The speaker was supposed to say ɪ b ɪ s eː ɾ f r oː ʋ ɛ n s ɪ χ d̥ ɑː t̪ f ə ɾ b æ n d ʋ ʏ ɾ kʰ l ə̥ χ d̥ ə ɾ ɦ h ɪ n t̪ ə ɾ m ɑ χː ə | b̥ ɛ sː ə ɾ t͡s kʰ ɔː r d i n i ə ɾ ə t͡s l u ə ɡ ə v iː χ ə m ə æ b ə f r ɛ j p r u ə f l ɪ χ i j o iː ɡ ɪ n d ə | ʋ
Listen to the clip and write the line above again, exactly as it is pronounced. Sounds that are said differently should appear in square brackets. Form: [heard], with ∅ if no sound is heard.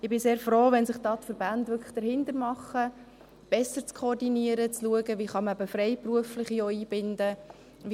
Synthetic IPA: ɪ b ɪ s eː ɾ f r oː ʋ ɛ n s ɪ χ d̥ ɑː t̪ f ə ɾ b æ n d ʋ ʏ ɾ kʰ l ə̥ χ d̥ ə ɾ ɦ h ɪ n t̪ ə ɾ m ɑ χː ə | b̥ ɛ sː ə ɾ t͡s kʰ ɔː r d i n i ə ɾ ə t͡s l u ə ɡ ə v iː χ [ɑ] m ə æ b ə f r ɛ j p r u ə f l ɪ χ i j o iː [b] ɪ n d ə | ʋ